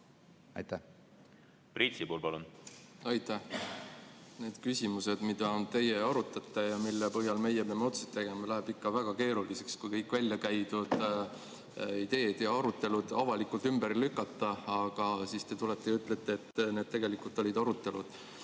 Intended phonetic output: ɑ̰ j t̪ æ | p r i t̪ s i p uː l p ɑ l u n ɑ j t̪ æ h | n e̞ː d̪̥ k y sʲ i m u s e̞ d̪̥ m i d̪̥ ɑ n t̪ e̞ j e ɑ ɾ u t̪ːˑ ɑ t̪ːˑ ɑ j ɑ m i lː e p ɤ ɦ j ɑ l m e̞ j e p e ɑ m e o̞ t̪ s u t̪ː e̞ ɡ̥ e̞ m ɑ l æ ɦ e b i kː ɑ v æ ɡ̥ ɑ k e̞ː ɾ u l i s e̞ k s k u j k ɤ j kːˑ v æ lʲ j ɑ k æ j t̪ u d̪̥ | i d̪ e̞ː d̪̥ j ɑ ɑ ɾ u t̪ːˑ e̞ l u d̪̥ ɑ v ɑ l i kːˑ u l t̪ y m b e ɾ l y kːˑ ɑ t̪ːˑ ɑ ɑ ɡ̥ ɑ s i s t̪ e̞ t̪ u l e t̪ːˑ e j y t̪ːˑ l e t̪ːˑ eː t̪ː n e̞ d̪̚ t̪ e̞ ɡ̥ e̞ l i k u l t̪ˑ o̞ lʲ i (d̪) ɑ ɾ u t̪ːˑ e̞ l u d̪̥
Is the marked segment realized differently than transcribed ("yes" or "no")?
no